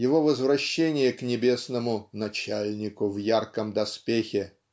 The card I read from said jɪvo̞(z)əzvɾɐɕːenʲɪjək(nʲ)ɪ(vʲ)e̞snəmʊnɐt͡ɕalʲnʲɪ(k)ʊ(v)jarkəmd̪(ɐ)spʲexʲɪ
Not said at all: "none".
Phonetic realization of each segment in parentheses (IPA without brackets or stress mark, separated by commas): v, nʲ, bʲ, k, v, ɐ